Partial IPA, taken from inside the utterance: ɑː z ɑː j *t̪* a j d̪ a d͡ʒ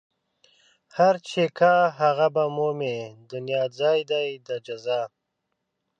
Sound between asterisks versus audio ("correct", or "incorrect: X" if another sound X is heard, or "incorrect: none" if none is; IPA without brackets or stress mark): incorrect: d̪